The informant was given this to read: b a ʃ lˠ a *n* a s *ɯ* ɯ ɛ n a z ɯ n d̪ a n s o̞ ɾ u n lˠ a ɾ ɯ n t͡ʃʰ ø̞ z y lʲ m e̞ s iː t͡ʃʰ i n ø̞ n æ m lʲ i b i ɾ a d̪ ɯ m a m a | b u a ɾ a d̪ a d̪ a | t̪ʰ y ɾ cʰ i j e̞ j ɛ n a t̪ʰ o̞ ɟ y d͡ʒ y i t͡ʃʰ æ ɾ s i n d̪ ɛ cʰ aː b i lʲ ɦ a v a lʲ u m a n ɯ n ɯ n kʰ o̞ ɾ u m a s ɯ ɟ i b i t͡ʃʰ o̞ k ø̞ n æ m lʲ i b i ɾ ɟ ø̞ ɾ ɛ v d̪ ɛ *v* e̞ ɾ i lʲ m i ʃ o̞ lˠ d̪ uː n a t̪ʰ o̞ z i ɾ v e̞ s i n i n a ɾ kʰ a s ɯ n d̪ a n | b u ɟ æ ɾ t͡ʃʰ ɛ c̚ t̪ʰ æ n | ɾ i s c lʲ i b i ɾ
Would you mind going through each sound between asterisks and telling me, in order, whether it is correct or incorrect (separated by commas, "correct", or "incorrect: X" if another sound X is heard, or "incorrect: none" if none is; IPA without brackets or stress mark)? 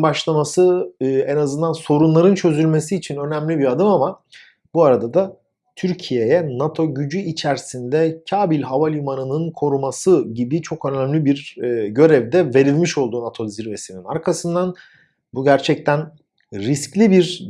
incorrect: m, correct, correct